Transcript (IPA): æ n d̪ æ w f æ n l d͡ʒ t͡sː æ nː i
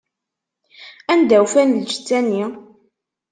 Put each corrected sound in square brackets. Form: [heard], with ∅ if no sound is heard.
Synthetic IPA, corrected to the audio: æ n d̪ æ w f æ n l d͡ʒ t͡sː æ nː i